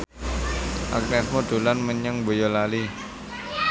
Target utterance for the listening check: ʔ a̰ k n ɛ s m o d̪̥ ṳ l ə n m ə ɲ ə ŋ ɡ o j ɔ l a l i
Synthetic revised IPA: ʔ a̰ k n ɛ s m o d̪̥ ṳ l a n m ə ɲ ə ŋ b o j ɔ l a l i